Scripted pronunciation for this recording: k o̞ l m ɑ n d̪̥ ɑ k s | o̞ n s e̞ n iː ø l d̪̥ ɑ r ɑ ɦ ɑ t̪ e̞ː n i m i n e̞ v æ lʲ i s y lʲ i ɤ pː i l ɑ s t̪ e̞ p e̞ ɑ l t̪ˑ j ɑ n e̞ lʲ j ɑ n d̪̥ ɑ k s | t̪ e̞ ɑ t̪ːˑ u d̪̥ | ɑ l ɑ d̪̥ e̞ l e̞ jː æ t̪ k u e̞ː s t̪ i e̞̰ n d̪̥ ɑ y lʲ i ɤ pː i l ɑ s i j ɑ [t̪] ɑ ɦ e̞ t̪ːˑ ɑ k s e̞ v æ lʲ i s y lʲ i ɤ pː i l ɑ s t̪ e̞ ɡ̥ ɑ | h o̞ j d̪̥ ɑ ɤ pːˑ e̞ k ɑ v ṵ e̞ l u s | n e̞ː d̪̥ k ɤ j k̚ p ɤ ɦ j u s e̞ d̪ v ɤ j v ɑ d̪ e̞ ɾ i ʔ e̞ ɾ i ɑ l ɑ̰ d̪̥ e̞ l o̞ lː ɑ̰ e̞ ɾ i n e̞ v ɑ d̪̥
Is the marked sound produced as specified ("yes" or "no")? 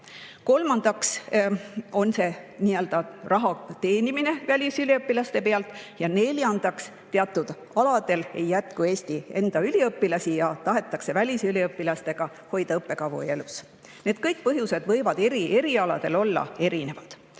yes